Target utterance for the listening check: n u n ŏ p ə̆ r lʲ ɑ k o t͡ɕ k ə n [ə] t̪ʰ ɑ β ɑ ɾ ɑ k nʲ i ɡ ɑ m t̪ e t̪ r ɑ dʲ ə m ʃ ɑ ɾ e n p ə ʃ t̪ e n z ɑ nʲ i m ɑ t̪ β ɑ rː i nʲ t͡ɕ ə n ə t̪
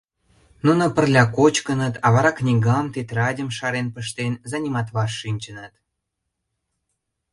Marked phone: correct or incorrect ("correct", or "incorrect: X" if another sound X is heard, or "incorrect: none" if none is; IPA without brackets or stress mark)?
correct